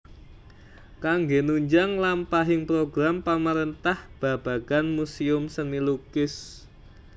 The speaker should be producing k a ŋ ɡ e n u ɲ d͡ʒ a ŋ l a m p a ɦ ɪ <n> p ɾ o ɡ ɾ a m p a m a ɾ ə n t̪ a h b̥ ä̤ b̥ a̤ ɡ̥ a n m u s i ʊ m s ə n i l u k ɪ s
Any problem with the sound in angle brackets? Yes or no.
yes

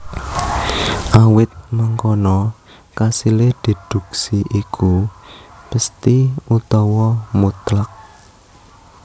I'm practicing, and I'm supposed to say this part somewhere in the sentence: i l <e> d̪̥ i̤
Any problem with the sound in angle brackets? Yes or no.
no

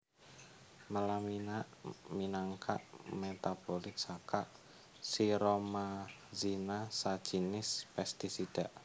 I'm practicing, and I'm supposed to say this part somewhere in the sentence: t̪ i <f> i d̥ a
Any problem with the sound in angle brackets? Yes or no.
yes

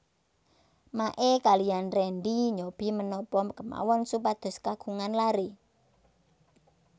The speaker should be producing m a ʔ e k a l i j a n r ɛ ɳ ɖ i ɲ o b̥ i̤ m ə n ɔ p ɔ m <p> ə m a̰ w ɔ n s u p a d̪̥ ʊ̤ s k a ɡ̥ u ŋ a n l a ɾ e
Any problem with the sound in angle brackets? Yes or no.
yes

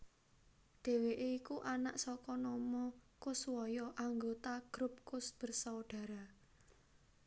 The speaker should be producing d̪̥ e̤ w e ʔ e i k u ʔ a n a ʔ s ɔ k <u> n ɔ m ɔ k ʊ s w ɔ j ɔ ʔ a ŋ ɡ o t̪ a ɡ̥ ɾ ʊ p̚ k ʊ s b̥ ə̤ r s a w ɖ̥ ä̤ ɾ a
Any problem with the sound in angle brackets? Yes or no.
yes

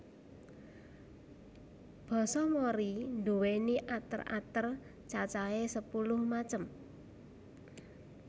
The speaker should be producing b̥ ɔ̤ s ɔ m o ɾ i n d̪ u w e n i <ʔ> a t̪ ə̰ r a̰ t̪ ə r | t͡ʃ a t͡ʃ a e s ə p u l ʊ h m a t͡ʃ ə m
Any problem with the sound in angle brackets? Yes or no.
no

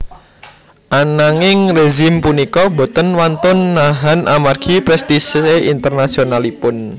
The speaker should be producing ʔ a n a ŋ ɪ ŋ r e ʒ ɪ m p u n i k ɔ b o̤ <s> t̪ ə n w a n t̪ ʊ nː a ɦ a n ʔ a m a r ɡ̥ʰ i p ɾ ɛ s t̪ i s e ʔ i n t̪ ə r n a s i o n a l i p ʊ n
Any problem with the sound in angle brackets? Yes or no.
yes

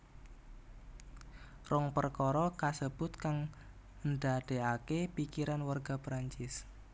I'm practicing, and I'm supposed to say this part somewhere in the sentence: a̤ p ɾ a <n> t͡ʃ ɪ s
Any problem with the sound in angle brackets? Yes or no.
yes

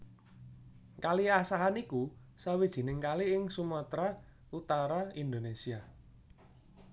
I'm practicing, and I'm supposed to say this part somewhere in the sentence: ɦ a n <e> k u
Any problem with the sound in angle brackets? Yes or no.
yes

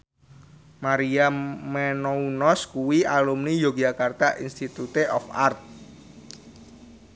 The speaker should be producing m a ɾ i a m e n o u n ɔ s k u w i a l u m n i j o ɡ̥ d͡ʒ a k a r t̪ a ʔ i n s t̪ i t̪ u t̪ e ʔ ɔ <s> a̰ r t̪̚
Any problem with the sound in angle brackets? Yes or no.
yes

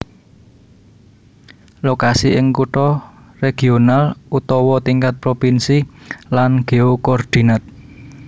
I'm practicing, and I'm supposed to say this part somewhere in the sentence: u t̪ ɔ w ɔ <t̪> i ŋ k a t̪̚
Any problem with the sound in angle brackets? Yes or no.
no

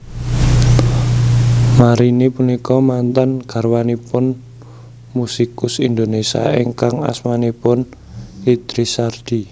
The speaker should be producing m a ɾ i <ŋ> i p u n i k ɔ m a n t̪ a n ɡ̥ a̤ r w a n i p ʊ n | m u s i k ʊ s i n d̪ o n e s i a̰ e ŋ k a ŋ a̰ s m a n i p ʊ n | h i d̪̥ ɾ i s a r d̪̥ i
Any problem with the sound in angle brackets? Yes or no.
yes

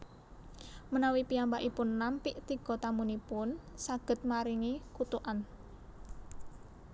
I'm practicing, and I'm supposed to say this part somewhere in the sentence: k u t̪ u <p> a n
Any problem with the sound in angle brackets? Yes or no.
yes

